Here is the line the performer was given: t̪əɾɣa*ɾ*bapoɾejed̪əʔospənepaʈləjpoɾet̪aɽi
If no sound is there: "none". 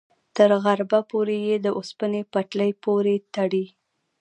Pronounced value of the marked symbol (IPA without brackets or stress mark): ɾ